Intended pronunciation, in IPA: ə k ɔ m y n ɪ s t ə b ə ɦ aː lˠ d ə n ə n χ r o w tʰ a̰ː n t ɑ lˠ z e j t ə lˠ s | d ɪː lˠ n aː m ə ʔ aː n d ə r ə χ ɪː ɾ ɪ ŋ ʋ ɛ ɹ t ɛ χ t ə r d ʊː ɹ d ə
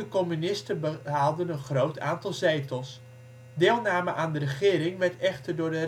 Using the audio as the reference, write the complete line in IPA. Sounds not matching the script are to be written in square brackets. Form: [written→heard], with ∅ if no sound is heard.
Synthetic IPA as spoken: ə k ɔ m y n ɪ s t ə b ə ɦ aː lˠ d ə n ə n χ r o w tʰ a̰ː n t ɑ lˠ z e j t ə lˠ s | d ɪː lˠ n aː m ə ʔ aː n d ə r ə χ ɪː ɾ ɪ ŋ ʋ ɛ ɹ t ɛ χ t ə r d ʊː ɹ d ə